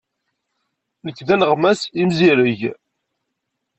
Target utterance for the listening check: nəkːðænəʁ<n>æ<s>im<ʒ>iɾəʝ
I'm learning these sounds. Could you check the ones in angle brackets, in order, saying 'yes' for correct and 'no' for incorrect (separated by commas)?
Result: no, yes, no